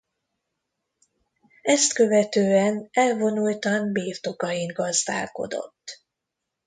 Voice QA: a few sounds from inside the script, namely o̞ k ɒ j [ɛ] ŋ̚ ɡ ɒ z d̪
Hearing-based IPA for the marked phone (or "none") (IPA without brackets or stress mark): i